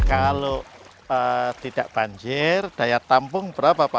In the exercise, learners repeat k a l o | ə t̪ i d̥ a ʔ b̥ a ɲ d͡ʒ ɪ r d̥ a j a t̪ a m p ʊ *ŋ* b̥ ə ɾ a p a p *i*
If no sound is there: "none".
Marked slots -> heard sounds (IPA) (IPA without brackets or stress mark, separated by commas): ŋ, a